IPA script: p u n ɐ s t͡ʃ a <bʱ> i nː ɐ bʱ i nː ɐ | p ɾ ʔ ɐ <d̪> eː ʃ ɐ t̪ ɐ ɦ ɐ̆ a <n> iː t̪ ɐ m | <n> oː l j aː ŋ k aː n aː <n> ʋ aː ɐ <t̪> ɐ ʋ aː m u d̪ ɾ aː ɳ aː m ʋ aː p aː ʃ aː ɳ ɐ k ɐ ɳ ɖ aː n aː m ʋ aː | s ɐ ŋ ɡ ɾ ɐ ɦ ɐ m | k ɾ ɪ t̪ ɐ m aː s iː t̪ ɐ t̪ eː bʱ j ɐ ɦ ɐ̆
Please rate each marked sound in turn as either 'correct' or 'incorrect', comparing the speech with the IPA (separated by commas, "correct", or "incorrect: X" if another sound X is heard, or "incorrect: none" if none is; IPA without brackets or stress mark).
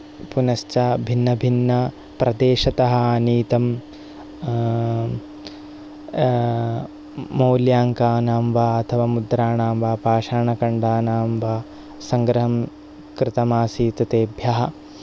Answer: correct, correct, correct, incorrect: m, incorrect: m, incorrect: t̪ʰ